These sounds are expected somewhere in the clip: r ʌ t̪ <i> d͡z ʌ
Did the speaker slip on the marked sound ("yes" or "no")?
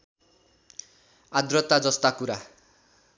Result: yes